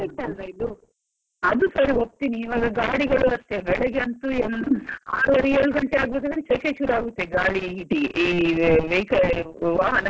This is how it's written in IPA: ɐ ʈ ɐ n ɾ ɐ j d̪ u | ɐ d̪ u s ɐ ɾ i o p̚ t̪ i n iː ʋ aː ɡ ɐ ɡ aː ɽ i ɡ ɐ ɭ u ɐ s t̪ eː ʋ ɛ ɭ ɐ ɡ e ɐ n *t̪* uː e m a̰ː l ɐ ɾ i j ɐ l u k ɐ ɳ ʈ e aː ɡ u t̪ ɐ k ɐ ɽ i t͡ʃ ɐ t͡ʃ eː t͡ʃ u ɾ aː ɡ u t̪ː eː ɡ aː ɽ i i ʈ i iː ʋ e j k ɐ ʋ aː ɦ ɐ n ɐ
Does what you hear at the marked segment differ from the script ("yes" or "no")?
no